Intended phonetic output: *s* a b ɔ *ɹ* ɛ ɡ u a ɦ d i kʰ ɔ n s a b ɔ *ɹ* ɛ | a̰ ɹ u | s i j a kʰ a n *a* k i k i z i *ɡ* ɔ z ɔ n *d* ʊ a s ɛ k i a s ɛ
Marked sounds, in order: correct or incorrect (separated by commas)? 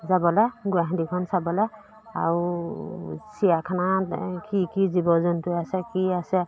incorrect, incorrect, incorrect, correct, incorrect, incorrect